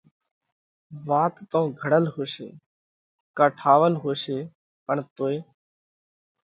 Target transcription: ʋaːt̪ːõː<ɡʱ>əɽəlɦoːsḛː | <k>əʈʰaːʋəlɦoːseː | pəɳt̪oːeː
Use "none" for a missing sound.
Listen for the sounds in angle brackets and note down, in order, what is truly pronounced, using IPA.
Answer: ɡʱ, k

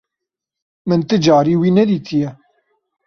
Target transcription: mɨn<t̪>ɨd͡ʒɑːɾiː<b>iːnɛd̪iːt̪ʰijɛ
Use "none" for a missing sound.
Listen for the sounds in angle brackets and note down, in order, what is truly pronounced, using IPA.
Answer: t̪, w

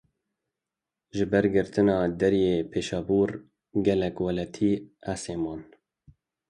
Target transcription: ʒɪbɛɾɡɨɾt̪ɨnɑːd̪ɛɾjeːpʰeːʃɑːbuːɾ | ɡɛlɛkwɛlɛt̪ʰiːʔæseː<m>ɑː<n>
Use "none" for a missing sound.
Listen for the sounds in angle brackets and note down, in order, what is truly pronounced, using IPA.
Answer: m, n

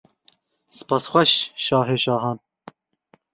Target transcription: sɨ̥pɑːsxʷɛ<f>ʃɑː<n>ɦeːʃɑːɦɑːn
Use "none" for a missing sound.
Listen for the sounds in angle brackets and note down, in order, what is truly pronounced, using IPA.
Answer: ʃ, none

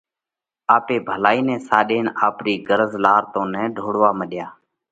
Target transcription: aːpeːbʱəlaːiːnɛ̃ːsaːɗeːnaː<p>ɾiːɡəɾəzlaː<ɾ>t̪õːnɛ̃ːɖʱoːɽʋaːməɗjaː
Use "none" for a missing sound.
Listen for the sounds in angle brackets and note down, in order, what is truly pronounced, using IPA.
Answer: p, ɾ

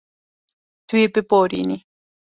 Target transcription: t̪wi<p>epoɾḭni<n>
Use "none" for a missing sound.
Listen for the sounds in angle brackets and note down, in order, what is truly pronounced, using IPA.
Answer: p, none

